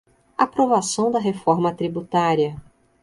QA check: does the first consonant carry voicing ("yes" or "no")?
no